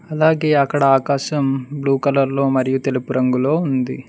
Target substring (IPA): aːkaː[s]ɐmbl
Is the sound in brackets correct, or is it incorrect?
incorrect: ʃ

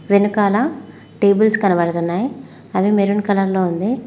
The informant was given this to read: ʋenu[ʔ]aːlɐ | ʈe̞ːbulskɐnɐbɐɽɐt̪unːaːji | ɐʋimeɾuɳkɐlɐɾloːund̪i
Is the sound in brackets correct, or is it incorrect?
incorrect: k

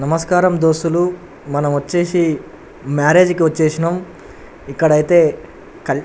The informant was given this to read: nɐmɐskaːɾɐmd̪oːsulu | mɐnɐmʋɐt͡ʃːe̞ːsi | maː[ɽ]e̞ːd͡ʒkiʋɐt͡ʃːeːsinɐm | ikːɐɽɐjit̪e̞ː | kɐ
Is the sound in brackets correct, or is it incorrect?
incorrect: ɾ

